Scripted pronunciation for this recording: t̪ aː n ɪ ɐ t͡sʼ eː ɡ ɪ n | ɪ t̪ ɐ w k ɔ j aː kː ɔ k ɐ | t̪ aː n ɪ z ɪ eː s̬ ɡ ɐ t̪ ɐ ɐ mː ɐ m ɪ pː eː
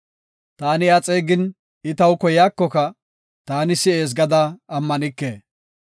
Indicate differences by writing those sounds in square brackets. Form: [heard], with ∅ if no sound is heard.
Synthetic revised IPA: t̪ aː n ɪ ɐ t͡sʼ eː ɡ ɪ n | ɪ t̪ ɐ w k ɔ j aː kː ɔ k ɐ | t̪ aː n ɪ [s] ɪ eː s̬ ɡ ɐ [d̪] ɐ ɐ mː ɐ [n] ɪ [kː] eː